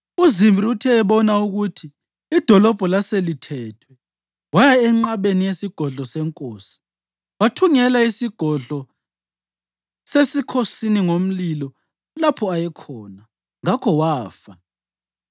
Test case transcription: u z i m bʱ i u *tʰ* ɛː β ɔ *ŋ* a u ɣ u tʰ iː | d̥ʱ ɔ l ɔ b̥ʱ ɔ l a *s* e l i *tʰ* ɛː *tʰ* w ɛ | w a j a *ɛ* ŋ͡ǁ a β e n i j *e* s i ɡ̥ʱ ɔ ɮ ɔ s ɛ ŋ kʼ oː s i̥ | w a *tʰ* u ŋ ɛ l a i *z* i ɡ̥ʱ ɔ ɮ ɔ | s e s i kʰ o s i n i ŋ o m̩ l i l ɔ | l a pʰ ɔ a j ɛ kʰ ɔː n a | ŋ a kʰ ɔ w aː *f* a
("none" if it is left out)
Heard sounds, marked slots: tʰ, n, s, tʰ, tʰ, ɛ, e, tʰ, s, f

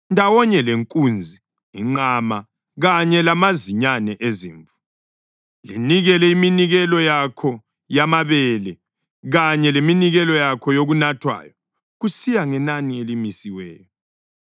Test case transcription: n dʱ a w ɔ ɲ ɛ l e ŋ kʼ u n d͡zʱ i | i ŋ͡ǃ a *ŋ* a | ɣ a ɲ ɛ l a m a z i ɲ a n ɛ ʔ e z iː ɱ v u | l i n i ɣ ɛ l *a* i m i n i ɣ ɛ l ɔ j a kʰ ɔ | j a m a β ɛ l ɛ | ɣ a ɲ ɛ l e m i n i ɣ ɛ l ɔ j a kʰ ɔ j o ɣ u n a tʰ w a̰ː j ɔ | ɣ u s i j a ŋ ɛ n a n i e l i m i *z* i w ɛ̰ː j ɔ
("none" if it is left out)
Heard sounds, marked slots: m, ɛ, s

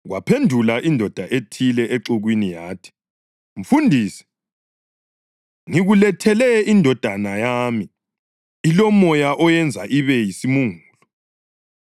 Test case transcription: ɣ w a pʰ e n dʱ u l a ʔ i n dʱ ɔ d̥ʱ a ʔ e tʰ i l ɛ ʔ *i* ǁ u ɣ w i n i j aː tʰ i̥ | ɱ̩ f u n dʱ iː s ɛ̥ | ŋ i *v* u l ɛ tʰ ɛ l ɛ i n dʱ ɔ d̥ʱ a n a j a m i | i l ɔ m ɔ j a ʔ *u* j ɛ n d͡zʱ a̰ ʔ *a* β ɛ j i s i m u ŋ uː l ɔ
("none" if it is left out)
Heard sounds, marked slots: e, ɣ, ɔ, i

